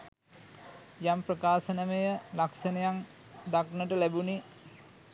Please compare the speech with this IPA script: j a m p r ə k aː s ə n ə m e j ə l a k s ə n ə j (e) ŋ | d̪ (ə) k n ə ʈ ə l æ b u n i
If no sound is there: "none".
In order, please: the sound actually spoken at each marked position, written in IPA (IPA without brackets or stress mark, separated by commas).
a, a